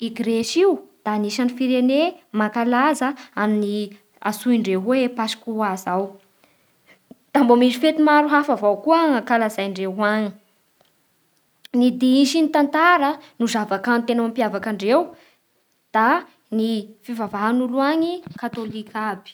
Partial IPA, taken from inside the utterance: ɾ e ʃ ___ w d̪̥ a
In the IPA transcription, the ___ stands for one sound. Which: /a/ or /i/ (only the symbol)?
i